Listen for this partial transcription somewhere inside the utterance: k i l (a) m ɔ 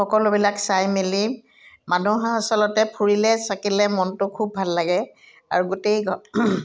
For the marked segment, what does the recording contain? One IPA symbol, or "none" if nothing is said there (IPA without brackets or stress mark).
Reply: ɛ